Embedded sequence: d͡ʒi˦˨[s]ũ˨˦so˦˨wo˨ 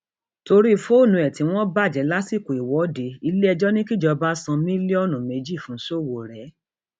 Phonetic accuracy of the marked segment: incorrect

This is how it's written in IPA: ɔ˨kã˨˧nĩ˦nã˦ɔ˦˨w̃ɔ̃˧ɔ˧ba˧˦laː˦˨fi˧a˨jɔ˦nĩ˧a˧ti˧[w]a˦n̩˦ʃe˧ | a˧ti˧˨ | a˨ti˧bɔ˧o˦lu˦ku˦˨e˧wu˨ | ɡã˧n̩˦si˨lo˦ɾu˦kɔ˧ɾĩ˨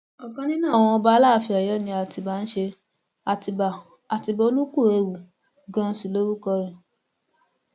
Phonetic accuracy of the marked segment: incorrect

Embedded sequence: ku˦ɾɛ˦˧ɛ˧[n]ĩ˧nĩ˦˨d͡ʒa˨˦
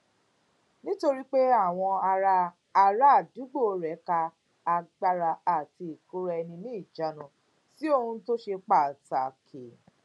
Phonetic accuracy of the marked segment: correct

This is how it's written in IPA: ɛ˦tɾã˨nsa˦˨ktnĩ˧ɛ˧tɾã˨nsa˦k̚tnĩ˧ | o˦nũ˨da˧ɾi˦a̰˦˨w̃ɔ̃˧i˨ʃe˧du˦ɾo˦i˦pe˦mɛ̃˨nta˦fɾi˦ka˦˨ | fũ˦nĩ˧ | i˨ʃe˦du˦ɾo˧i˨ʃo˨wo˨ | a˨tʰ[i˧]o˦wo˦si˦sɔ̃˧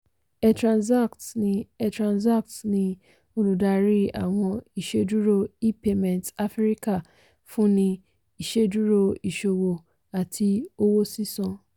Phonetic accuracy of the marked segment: correct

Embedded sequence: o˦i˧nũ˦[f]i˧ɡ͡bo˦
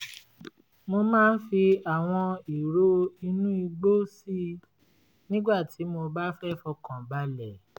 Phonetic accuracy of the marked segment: incorrect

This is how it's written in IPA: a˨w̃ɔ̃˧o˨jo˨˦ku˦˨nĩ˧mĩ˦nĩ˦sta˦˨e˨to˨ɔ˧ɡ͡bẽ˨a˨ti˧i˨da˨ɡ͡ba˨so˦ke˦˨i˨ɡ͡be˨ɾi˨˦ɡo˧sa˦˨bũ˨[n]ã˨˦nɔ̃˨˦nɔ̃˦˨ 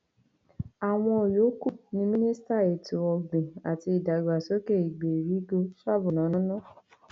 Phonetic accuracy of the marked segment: correct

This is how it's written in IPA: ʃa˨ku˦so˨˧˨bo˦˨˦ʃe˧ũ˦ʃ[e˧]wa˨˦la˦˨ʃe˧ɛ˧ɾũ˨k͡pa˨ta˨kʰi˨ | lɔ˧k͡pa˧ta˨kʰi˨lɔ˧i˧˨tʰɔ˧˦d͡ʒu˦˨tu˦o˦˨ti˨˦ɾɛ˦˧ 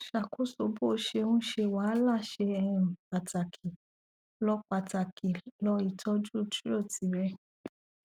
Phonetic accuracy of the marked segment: correct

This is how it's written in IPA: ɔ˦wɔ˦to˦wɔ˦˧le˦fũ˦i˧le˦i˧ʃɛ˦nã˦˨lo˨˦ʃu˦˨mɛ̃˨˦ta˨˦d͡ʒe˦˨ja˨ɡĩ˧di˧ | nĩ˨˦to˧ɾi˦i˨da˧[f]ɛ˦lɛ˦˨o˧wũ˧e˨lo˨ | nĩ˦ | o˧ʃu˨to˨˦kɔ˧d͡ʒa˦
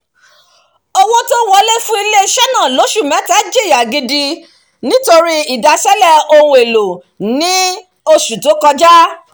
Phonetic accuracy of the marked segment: incorrect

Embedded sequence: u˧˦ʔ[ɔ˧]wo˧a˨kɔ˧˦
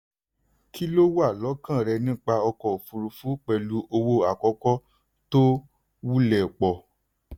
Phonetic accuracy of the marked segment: incorrect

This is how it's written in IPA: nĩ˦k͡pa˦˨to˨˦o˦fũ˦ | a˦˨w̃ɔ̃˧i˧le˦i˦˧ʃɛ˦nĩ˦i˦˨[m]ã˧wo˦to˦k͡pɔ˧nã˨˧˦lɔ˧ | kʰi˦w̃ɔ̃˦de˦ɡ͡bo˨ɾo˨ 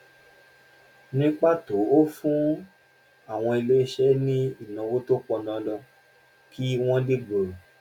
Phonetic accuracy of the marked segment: incorrect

